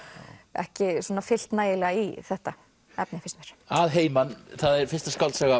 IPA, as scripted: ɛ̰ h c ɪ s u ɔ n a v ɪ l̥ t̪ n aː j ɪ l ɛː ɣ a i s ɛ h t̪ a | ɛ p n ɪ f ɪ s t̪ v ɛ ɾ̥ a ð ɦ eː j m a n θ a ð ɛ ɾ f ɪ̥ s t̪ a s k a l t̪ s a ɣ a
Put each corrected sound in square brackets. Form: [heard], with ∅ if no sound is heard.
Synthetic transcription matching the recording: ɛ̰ h c ɪ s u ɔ n a [f] ɪ l̥ t̪ n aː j ɪ l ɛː ɣ a i [θ] ɛ h t̪ a | ɛ p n ɪ f ɪ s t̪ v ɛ ɾ̥ a ð ɦ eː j m a n θ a ð ɛ ɾ f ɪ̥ s t̪ a s k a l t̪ s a ɣ a